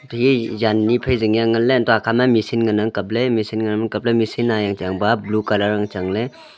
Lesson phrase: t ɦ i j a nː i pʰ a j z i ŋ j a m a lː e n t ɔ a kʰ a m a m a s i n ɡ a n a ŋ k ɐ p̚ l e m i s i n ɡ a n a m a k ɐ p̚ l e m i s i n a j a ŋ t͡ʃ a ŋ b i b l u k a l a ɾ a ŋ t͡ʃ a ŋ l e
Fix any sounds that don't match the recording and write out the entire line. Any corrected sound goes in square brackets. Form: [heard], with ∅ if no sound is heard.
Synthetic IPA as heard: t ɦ i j a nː i pʰ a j z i ŋ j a [ŋ] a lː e n t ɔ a kʰ a m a m [i] s i n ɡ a n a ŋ k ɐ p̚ l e m i s i n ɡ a n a m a k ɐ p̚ l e m i s i n a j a ŋ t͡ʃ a ŋ b [a] b l u k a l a ɾ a ŋ t͡ʃ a ŋ l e